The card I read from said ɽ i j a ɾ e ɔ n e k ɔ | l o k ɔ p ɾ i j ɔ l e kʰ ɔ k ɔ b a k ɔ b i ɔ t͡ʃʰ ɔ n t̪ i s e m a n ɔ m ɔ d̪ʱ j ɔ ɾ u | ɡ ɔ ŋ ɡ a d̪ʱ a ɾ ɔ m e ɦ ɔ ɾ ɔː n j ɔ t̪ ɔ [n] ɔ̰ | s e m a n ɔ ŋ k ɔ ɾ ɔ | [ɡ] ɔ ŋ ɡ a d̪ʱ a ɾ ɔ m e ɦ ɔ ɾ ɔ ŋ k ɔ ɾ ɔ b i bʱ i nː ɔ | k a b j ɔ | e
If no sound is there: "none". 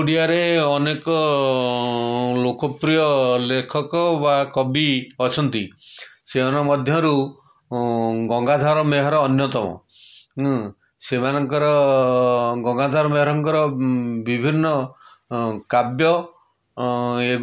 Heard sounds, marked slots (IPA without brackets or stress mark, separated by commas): m, ɡ